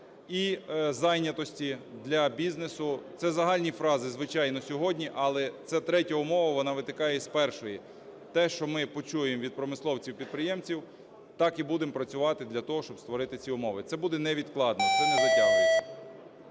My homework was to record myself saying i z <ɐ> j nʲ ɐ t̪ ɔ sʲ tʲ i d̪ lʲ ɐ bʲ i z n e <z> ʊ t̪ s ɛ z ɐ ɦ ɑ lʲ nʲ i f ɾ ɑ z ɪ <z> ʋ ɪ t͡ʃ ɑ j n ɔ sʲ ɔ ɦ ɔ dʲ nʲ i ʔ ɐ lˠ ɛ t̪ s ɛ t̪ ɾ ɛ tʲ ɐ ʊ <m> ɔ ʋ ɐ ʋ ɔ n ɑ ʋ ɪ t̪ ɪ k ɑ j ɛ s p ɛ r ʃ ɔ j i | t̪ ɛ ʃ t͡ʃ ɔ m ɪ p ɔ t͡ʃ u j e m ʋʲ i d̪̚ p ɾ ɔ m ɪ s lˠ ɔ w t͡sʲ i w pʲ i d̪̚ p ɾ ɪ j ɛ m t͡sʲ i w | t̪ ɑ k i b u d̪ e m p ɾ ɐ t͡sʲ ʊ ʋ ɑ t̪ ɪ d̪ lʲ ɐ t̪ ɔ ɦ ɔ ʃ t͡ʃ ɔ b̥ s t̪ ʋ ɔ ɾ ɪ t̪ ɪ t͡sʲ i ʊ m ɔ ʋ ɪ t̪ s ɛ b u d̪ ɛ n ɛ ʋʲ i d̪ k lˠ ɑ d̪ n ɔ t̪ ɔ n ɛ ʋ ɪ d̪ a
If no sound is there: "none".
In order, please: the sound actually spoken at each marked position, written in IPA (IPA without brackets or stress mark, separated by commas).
ɑ, s, z, m